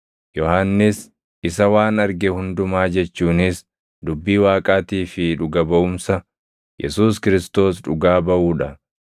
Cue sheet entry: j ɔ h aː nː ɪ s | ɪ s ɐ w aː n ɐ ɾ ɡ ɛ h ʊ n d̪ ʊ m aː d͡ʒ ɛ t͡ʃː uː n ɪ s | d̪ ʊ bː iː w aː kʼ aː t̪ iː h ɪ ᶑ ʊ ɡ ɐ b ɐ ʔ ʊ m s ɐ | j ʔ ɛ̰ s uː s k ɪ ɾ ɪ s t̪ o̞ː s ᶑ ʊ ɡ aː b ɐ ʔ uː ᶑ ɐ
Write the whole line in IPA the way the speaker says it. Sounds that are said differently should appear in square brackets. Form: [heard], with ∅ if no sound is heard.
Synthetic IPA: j ɔ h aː nː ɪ s | ɪ s ɐ w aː n ɐ ɾ ɡ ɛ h ʊ n d̪ ʊ m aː d͡ʒ ɛ t͡ʃː uː n ɪ s | d̪ ʊ bː iː w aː kʼ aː t̪ iː [f] ɪ ᶑ ʊ ɡ ɐ b ɐ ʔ ʊ m s ɐ | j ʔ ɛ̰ s uː s k ɪ ɾ ɪ s t̪ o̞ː s ᶑ ʊ ɡ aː b ɐ ʔ uː ᶑ ɐ